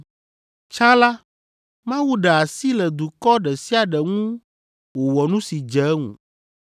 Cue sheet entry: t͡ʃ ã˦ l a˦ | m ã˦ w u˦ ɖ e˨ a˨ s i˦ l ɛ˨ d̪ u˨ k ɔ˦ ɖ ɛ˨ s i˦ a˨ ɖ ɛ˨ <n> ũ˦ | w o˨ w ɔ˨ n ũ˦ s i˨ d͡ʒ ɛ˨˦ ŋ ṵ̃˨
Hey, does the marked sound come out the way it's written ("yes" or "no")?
no